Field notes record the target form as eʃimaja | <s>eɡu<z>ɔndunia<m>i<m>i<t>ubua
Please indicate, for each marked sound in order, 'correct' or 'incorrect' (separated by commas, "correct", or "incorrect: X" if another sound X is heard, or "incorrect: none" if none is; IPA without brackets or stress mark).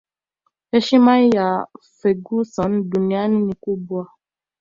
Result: incorrect: f, incorrect: s, incorrect: n, incorrect: n, incorrect: k